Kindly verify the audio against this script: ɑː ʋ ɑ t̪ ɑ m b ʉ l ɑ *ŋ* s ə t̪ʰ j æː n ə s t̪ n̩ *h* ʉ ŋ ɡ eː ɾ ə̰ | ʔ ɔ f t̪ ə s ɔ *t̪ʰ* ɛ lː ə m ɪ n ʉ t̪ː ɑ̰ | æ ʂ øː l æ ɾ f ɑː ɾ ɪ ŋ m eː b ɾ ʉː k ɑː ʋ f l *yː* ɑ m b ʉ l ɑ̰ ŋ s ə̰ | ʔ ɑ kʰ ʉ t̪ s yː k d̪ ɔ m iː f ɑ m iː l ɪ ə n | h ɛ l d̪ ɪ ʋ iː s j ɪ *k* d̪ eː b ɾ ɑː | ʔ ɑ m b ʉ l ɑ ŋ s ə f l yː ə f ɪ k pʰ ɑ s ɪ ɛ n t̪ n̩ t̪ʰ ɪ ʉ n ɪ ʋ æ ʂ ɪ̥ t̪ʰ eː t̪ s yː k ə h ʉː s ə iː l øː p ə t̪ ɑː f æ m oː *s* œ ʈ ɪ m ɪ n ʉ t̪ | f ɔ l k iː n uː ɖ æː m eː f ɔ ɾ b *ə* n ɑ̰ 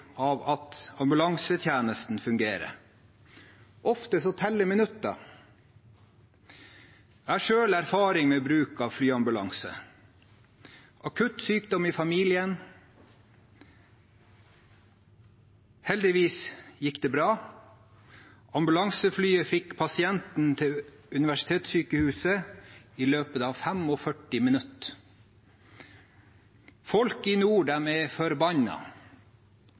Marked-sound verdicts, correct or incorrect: correct, incorrect, correct, correct, correct, incorrect, incorrect

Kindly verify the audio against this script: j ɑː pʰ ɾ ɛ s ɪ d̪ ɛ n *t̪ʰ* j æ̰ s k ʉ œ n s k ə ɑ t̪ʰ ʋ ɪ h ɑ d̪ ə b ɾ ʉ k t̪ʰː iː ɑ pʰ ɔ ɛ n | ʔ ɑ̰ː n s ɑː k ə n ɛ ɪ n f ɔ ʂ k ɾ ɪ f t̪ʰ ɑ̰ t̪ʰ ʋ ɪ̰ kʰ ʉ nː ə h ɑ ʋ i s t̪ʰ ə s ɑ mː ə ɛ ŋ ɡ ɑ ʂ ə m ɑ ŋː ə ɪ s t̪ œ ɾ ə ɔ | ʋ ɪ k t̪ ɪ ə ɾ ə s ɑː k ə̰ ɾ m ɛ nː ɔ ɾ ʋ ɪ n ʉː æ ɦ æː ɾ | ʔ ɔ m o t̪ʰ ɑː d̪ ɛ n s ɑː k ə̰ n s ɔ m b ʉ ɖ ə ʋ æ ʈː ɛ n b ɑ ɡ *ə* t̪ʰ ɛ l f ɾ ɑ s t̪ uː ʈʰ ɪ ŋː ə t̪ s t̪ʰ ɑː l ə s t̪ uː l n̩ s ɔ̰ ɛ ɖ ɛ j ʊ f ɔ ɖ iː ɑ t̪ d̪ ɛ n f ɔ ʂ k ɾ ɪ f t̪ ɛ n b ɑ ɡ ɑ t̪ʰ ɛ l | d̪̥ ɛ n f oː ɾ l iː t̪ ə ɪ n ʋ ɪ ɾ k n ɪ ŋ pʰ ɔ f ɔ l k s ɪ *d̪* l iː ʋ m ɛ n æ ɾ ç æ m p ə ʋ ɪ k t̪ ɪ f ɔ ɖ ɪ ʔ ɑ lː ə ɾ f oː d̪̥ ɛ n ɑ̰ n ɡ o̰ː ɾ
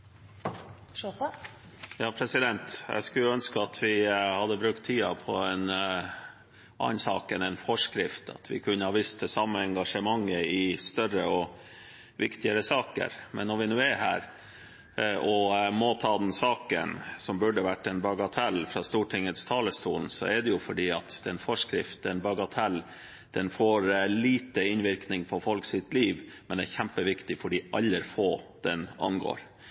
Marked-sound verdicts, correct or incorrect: incorrect, incorrect, incorrect

